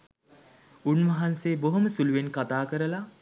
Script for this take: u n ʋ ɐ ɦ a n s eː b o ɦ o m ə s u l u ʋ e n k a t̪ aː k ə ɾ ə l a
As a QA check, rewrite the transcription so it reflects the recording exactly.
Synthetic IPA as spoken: u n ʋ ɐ ɦ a n s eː b o ɦ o m ə s u l u ʋ e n k a t̪ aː k ə ɾ ə l a

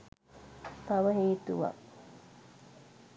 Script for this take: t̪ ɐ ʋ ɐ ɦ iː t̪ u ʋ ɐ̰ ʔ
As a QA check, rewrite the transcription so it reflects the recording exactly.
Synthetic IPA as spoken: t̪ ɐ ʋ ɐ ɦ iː t̪ u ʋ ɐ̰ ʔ

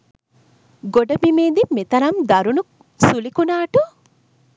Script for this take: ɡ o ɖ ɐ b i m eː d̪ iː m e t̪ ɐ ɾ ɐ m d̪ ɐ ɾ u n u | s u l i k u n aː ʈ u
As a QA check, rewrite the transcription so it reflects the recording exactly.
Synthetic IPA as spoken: ɡ o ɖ ɐ b i m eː d̪ i m e t̪ ɐ ɾ ɐ m d̪ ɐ ɾ u n u | s u l i k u n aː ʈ u

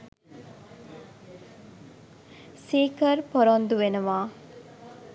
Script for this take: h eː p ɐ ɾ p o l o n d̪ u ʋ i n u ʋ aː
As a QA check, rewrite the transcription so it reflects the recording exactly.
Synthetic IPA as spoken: s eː k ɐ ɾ p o ɾ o n d̪ u ʋ e n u ʋ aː

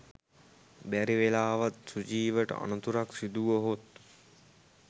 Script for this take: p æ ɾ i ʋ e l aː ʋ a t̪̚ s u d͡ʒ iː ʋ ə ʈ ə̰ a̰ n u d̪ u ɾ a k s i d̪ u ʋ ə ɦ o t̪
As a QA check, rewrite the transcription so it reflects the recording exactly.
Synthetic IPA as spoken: b æ ɾ i ʋ e l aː ʋ a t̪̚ s u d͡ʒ iː ʋ ə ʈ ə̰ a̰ n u t̪ u ɾ a k s i d̪ u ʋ ə ɦ o t̪

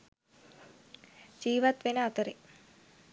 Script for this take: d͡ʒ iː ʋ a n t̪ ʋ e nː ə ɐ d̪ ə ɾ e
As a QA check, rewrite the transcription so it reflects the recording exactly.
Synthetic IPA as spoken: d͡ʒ iː ʋ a t̪ ʋ e n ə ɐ t̪ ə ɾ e

